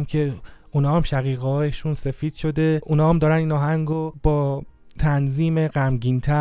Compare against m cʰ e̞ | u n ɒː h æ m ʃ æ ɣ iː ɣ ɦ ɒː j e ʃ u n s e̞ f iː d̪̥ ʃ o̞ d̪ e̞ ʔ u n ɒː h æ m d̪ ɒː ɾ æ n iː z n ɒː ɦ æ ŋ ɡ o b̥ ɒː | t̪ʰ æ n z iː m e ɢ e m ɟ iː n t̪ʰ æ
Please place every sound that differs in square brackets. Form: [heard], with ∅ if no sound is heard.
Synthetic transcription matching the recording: m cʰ e̞ | u n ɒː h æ m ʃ æ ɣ iː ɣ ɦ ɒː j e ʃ u n s e̞ f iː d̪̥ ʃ o̞ d̪ e̞ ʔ u n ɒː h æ m d̪ ɒː ɾ æ n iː [∅] n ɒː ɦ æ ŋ ɡ o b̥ ɒː | t̪ʰ æ n z iː m e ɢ [æ] m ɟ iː n t̪ʰ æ